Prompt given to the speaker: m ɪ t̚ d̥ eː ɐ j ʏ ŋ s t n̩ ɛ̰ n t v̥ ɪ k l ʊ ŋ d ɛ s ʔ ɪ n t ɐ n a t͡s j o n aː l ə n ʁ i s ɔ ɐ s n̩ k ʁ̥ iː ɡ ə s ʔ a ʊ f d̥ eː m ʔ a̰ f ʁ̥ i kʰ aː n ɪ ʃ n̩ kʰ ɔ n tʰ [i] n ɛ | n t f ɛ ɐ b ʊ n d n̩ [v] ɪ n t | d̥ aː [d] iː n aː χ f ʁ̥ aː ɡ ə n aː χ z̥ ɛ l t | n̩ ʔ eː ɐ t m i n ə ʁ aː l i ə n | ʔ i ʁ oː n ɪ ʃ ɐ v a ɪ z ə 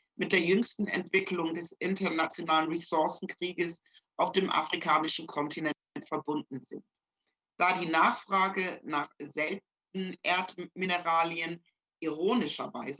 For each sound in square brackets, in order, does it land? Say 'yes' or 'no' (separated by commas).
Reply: yes, no, yes